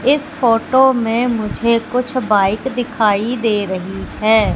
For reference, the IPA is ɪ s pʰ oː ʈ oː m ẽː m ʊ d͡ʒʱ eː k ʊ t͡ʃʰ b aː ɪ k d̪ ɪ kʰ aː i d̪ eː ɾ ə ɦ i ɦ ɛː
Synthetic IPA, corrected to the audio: ɪ s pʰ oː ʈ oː m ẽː m ʊ d͡ʒʱ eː k ʊ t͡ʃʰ b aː ɪ k d̪ ɪ kʰ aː i d̪ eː ɾ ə ɦ i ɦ ɛː